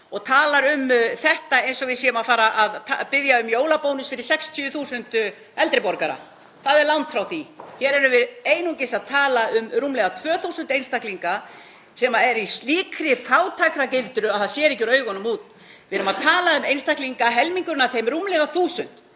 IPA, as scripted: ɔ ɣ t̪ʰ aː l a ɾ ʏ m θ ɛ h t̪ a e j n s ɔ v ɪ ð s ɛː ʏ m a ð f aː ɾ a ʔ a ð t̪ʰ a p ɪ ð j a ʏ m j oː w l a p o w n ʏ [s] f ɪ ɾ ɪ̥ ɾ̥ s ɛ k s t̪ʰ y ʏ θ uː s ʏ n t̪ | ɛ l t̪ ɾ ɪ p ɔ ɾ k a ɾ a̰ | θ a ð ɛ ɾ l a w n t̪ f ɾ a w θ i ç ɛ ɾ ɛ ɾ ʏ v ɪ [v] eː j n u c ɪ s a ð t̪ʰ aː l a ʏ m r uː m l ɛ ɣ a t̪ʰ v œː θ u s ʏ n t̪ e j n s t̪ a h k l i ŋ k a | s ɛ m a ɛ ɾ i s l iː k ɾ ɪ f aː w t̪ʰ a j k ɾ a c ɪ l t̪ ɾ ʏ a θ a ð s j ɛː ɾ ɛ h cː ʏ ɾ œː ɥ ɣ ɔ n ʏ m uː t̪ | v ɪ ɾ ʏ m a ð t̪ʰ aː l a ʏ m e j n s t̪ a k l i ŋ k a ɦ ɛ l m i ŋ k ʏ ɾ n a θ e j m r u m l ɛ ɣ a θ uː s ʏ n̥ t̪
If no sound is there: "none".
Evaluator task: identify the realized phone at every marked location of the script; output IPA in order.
s, ð

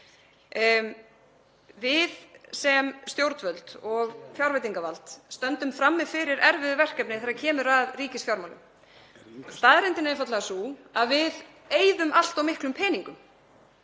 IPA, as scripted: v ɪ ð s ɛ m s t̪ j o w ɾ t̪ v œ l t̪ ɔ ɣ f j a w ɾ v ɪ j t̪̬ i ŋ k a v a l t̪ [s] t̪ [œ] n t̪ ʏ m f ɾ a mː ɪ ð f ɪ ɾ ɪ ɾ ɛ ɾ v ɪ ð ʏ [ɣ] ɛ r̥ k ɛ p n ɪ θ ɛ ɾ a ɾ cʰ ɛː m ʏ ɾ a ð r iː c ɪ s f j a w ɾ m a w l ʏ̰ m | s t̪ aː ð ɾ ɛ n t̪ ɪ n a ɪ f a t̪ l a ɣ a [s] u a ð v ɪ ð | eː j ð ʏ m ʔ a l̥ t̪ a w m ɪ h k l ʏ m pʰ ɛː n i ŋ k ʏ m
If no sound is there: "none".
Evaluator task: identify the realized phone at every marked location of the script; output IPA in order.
s, œ, v, s

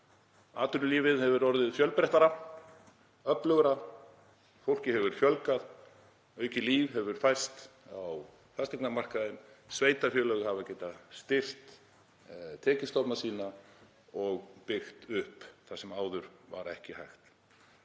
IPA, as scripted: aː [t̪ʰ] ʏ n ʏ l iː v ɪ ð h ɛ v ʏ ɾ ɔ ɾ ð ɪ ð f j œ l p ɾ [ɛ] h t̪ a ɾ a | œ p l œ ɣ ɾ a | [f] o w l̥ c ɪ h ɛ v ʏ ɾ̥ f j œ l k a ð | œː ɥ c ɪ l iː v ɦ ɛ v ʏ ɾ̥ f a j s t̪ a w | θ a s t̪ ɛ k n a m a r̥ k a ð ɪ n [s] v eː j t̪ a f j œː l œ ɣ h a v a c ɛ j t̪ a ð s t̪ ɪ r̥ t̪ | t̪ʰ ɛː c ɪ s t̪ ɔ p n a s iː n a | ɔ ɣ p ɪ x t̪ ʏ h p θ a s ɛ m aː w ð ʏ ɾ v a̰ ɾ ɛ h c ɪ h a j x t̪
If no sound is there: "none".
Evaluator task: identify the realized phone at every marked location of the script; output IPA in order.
t̪, ɛ, f, s

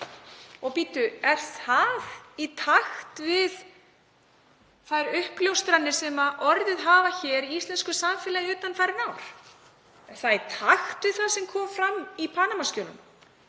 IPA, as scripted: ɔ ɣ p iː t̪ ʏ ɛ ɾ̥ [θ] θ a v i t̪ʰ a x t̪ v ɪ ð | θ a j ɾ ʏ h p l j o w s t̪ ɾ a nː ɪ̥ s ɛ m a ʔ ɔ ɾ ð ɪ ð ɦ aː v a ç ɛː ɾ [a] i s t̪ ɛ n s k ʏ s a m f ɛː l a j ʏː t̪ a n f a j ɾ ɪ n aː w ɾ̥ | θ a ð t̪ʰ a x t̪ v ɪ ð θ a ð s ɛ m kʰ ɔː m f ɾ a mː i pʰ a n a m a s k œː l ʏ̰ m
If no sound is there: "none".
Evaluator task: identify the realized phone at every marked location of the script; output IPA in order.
θ, i

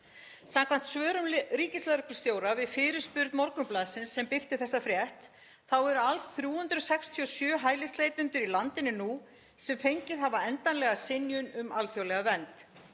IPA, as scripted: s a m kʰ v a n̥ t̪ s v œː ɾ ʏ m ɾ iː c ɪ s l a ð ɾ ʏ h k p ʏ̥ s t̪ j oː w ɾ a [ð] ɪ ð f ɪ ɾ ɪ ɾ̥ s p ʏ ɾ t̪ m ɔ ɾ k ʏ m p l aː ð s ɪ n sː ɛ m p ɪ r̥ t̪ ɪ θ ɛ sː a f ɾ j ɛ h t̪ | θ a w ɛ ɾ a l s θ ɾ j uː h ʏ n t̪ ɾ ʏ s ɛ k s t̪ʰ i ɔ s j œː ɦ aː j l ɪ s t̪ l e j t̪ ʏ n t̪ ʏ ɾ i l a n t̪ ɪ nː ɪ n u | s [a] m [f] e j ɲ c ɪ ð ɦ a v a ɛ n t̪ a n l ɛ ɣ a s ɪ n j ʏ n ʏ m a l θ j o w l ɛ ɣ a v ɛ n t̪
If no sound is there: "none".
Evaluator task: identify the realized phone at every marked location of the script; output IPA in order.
v, ɛ, f

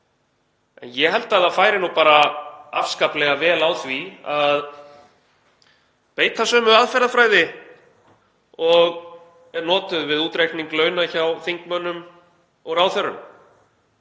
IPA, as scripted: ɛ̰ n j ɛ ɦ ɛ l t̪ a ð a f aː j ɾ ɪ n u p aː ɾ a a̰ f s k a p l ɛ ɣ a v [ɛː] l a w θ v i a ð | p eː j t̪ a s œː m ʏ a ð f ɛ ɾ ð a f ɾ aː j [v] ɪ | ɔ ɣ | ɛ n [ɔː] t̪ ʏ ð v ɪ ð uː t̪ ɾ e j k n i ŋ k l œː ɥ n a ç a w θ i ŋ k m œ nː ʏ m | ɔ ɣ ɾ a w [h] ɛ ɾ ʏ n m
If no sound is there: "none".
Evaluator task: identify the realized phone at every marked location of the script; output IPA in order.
ɛː, ð, ɔː, θ

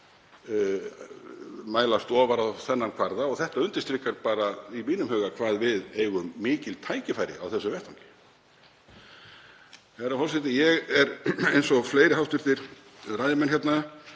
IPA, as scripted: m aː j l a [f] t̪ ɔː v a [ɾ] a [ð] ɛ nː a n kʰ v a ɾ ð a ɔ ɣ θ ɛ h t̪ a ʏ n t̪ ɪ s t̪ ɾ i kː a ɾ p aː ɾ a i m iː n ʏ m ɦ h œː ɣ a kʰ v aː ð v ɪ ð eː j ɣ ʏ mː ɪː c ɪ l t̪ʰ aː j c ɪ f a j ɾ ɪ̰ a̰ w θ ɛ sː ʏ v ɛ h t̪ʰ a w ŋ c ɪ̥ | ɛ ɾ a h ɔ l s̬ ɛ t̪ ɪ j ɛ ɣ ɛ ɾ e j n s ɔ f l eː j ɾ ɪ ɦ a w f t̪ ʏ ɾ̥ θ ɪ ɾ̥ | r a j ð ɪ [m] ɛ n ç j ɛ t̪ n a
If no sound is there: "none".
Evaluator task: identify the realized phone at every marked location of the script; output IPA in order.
s, ɾ, θ, m

